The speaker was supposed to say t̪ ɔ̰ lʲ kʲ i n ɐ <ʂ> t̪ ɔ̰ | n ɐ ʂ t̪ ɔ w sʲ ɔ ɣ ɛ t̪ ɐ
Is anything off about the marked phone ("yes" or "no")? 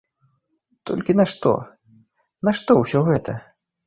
no